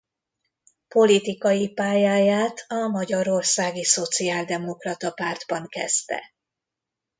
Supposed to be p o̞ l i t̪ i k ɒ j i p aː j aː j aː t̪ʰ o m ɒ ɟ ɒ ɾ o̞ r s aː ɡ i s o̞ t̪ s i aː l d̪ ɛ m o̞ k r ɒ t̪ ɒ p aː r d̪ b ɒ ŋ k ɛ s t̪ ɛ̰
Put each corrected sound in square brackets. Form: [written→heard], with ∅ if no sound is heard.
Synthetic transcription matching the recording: p o̞ l i t̪ i k ɒ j i p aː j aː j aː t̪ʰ [o→ɒ] m ɒ ɟ ɒ ɾ o̞ r s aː ɡ i s o̞ t̪ s i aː l d̪ ɛ m o̞ k r ɒ t̪ ɒ p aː r d̪ b ɒ ŋ k ɛ s t̪ ɛ̰